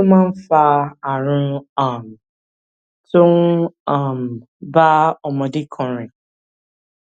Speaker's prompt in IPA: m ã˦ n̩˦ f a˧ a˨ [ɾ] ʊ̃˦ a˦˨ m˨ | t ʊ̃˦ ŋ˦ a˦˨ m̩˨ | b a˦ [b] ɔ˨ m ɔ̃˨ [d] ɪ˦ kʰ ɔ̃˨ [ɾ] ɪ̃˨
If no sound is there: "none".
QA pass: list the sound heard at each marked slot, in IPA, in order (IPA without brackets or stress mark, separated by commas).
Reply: ɾ, none, d, ɾ